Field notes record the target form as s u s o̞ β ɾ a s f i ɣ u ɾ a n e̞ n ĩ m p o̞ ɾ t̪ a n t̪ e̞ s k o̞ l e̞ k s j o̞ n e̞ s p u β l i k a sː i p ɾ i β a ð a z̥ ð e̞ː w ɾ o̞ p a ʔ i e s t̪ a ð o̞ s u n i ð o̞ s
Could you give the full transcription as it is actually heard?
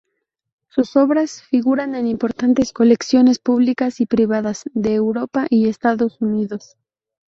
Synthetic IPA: s u s o̞ β ɾ a s f i ɣ u ɾ a n e̞ n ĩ m p o̞ ɾ t̪ a n t̪ e̞ s k o̞ l e̞ k s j o̞ n e̞ s p u β l i k a s i p ɾ i β a ð a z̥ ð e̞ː w ɾ o̞ p a ʔ i e s t̪ a ð o̞ s u n i ð o̞ s